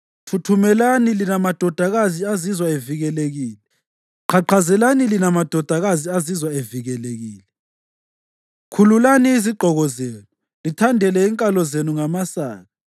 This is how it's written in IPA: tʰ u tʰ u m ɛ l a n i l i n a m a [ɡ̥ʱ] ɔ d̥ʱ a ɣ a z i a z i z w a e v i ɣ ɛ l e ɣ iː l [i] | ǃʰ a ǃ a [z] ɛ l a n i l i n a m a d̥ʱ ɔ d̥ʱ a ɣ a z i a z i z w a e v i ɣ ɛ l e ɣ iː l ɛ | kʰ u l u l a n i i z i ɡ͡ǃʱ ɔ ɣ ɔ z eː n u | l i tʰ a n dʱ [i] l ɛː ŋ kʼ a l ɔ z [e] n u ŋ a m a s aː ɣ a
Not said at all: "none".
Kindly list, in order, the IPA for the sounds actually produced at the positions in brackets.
d̥ʱ, ɛ, z, ɛ, e

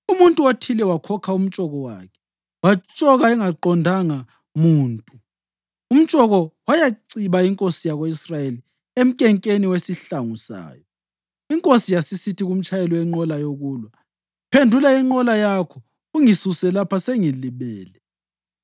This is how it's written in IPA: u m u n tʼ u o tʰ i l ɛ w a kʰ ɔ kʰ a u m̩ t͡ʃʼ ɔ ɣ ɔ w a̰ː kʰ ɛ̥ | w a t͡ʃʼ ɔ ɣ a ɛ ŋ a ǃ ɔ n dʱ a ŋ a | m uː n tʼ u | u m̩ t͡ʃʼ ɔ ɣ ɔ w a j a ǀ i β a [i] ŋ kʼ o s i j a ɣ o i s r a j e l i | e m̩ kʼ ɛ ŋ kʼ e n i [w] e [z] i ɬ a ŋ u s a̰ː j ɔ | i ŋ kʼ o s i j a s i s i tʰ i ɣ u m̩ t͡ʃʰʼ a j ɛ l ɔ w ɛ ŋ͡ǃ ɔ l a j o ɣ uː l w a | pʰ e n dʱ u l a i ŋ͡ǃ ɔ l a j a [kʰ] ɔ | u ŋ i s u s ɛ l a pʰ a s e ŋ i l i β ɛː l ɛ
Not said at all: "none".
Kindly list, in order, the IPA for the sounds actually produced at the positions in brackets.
i, w, s, kʰ

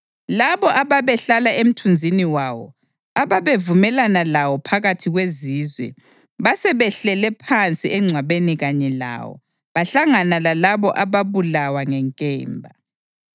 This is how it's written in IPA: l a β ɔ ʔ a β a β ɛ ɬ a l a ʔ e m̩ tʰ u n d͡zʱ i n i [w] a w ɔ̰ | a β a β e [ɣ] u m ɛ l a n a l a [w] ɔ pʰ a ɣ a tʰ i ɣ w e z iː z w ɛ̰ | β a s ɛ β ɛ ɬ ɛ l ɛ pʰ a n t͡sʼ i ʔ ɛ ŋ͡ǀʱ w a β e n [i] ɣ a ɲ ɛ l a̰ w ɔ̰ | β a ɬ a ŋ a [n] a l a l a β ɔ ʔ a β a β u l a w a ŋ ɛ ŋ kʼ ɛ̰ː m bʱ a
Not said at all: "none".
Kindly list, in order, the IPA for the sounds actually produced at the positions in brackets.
w, v, w, i, n

